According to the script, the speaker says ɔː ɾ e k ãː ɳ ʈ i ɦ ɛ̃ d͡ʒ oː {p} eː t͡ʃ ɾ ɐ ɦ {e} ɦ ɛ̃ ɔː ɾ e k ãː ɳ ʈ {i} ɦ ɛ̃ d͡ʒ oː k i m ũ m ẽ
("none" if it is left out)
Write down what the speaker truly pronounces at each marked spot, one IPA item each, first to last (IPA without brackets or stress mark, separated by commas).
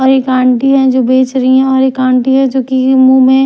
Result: b, i, i